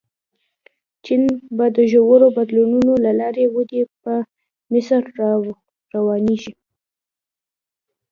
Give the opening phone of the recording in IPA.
t͡ʃ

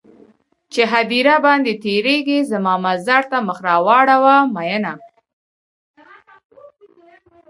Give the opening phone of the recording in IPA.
t͡ʃ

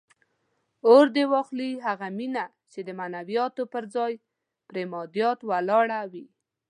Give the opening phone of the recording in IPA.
o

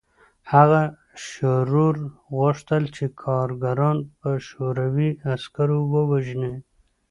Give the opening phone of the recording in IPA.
h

